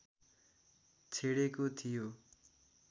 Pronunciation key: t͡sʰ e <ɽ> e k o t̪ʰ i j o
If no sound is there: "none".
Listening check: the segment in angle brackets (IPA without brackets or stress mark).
ɽ